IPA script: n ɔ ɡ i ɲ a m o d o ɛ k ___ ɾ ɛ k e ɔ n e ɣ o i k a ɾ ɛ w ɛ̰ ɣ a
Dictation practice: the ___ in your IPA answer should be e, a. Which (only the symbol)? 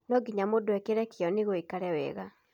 e